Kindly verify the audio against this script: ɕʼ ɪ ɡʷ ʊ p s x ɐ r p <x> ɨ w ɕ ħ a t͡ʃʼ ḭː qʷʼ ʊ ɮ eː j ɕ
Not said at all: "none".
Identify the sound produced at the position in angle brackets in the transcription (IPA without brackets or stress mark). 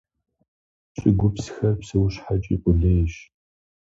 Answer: s